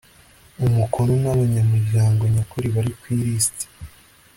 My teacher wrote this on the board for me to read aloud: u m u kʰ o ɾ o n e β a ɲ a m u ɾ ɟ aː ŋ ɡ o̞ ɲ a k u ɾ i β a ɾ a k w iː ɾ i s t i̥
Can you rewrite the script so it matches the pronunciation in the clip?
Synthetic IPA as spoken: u m u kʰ o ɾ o n a β a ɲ a m u ɾ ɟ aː ŋ ɡ o̞ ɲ a k u ɾ i β a ɾ i k w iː ɾ i s t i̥